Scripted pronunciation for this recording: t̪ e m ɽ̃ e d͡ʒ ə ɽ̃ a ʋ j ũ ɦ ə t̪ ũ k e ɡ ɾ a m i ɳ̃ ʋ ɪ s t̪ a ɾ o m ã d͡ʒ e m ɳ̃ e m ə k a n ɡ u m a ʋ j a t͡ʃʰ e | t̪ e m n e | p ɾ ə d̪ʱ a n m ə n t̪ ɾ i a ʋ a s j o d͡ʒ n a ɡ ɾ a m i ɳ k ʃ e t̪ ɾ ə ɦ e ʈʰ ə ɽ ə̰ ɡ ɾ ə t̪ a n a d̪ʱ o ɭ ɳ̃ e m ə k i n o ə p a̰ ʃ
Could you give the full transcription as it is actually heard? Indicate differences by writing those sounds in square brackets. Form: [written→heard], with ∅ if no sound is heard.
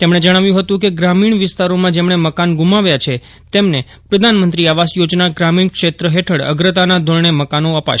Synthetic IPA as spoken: t̪ e m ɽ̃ e d͡ʒ ə ɽ̃ a ʋ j ũ ɦ ə t̪ ũ k e ɡ ɾ a m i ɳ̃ ʋ ɪ s t̪ a ɾ o m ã d͡ʒ e m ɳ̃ e m ə k a n ɡ u m a ʋ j a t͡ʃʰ e | t̪ e m n e | p ɾ ə d̪ʱ a n m ə n t̪ ɾ i a ʋ a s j o d͡ʒ n a ɡ ɾ a m i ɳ k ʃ e t̪ ɾ ə ɦ e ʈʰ ə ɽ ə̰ ɡ ɾ ə t̪ a n a d̪ʱ o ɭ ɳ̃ e m ə k [i→a] n o ə p a̰ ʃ